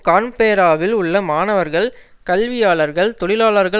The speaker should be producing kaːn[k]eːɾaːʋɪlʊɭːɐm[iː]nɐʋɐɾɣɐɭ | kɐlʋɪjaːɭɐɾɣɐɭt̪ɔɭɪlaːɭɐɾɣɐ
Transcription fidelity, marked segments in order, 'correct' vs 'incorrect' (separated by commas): incorrect, incorrect